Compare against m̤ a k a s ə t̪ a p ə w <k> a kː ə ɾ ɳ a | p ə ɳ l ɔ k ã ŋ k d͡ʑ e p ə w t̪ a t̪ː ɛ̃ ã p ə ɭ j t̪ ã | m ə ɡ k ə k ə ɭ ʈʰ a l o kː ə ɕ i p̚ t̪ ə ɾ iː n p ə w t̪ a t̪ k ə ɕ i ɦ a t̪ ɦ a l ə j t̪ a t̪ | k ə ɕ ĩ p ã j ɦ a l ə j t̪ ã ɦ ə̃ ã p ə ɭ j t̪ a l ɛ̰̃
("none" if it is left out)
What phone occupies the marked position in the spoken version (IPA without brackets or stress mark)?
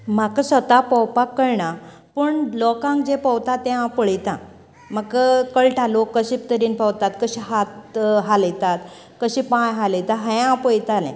p